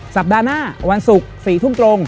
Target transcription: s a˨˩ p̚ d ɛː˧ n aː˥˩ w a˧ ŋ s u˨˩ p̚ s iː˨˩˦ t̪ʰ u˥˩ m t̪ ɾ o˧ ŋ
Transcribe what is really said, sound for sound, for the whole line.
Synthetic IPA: s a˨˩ p̚ d aː˧ n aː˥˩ w a˧ n s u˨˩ k̚ s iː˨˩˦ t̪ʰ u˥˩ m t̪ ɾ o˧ ŋ